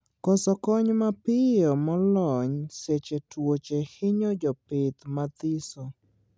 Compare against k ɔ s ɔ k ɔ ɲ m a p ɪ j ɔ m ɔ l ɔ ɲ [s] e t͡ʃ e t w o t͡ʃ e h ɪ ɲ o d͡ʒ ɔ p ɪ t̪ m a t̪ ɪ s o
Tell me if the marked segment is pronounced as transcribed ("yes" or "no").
yes